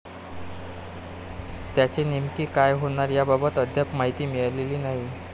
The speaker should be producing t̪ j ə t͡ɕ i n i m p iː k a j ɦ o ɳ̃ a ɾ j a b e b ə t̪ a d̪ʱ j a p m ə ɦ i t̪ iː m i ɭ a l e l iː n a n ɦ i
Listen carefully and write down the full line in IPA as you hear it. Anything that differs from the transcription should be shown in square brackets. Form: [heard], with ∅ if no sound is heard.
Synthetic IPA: t̪ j [a] t͡ɕ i n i m [k] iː k a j ɦ o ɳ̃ a ɾ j a b [a] b ə t̪ [ə] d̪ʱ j a p m [a] ɦ i t̪ iː m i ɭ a l e l iː n a [∅] ɦ i